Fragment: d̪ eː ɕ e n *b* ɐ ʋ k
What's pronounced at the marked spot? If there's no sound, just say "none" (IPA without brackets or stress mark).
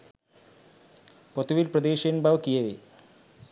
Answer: b